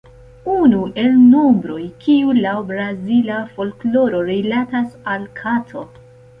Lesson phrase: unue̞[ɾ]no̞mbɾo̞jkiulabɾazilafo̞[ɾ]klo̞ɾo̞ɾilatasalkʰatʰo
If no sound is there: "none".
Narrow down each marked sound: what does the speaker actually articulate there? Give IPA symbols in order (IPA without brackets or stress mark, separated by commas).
l, l